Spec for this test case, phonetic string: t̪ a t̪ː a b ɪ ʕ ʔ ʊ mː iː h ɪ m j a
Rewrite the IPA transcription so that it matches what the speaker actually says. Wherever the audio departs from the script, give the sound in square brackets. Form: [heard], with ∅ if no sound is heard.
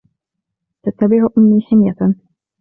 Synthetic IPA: t̪ a t̪ː a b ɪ ʕ ʔ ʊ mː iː [ħ] ɪ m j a